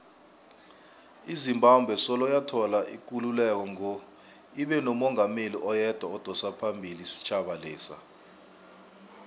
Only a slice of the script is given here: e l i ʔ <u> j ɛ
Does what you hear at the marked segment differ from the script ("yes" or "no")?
yes